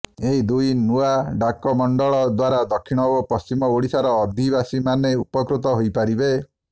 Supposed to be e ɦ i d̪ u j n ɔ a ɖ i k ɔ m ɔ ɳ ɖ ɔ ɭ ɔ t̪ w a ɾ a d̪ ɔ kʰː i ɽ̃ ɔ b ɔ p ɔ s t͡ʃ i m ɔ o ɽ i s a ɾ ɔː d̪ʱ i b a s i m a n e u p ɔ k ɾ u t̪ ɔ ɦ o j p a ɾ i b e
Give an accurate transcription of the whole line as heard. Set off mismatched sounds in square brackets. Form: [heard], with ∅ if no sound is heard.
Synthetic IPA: e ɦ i d̪ u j n [u] a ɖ [a] k ɔ m ɔ ɳ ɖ ɔ ɭ ɔ [d̪] w a ɾ a d̪ ɔ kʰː i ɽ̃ ɔ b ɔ p ɔ s t͡ʃ i m ɔ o ɽ i s a ɾ ɔː d̪ʱ i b a s i m a n e u p ɔ k ɾ u t̪ ɔ ɦ o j p a ɾ i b e